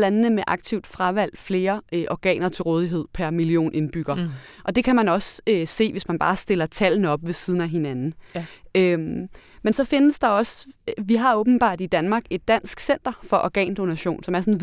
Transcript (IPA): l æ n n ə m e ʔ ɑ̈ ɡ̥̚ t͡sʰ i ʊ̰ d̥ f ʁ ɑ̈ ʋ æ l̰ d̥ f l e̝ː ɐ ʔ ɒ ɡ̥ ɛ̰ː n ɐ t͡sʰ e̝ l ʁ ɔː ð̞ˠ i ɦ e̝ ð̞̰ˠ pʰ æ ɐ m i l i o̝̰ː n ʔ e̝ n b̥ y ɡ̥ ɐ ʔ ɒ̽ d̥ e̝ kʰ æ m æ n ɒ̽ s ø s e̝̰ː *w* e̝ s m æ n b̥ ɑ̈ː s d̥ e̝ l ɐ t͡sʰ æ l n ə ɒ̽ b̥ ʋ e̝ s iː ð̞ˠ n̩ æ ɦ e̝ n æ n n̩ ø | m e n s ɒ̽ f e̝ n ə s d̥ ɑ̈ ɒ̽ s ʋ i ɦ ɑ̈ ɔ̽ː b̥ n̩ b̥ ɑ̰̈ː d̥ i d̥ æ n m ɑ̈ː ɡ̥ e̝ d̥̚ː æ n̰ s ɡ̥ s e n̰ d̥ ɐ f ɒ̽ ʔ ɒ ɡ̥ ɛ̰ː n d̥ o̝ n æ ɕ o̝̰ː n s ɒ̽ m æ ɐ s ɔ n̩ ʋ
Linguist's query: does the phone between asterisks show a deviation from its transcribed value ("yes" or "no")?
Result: yes